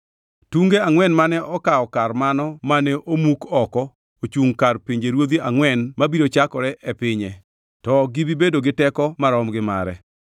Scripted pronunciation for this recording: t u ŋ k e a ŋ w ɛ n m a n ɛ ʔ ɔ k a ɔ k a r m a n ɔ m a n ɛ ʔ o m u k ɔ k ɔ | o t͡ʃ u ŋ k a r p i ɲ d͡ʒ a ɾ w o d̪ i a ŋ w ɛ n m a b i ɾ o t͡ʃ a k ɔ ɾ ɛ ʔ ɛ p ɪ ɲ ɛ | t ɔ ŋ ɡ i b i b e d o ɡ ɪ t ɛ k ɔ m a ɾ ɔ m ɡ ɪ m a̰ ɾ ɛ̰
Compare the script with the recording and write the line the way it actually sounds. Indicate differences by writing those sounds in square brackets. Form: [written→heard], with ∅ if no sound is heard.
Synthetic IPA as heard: t u ŋ [k→ɡ] e a ŋ w ɛ n m a n ɛ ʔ ɔ k a ɔ k a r m a n ɔ m a n ɛ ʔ o m u k ɔ k ɔ | o t͡ʃ u ŋ k a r p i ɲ d͡ʒ [a→e] ɾ w o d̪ i a ŋ w ɛ n m a b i ɾ o t͡ʃ a k ɔ ɾ ɛ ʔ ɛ p ɪ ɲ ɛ | t ɔ [ŋ→∅] ɡ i b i b e d o ɡ ɪ t ɛ k ɔ m a ɾ ɔ m ɡ ɪ m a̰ ɾ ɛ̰